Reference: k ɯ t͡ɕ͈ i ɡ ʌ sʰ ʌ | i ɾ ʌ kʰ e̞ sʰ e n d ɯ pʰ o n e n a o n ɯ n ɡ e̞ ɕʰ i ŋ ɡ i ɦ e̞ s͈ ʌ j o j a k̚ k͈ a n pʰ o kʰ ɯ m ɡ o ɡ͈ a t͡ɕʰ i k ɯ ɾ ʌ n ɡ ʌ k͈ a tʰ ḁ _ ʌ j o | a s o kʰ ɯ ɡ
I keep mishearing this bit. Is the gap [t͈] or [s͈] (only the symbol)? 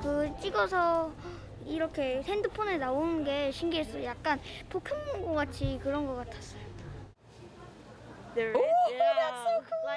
s͈